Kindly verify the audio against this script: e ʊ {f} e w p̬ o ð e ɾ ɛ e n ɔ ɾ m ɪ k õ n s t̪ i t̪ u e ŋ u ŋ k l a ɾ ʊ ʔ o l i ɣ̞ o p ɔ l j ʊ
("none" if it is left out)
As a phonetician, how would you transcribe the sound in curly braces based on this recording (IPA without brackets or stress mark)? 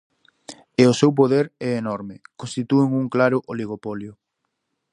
s